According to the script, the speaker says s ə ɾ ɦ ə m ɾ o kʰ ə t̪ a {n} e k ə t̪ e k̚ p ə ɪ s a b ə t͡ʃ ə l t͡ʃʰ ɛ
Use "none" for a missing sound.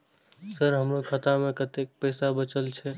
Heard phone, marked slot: m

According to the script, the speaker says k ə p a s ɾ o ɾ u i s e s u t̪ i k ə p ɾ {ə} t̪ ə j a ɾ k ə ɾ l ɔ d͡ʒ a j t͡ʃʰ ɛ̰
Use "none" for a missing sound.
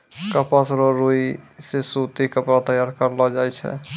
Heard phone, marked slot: a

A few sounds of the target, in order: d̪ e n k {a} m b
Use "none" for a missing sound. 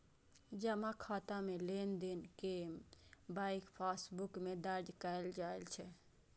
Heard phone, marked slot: e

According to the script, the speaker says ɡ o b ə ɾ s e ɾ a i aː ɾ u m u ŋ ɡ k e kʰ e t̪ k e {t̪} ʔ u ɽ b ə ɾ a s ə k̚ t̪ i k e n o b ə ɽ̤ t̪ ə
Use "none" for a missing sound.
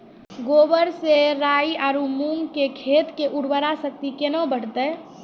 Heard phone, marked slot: none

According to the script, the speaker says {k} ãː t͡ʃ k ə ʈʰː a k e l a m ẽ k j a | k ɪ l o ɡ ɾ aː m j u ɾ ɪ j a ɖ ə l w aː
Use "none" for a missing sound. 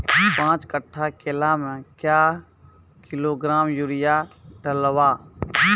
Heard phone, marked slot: p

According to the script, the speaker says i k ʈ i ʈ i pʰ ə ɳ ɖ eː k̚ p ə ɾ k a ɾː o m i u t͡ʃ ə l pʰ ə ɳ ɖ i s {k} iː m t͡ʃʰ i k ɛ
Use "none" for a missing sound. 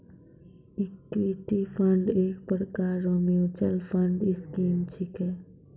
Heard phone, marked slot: k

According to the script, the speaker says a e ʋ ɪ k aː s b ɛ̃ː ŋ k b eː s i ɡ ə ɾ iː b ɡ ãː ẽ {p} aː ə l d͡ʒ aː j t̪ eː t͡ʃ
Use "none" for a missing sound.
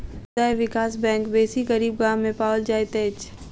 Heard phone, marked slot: p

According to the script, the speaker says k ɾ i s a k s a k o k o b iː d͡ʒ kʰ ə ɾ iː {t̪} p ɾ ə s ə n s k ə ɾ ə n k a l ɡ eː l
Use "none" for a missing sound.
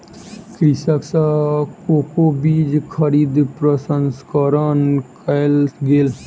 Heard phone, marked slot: d̪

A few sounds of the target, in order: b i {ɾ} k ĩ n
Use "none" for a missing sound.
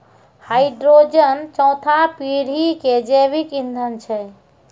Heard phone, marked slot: none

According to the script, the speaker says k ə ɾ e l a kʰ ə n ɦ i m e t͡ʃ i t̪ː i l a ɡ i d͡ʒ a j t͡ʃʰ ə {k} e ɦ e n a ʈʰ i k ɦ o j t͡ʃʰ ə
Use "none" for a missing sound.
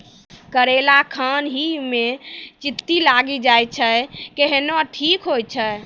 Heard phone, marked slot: k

